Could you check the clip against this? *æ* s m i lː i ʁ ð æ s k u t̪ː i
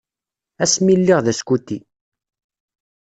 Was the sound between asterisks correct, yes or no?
yes